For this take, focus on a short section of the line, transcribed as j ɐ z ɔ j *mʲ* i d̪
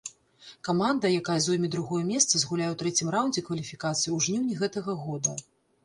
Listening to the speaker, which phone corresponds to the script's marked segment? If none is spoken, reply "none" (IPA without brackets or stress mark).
mʲ